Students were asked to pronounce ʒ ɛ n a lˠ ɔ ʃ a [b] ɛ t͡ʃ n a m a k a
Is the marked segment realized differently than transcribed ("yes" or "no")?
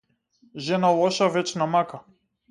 yes